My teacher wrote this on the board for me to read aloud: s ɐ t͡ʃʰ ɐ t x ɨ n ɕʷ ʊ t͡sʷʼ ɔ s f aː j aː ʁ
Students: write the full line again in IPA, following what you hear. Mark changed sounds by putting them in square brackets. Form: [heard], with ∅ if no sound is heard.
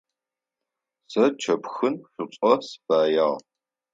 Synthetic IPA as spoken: s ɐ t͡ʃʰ ɐ [p] x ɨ n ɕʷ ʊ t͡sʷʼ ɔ s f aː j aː ʁ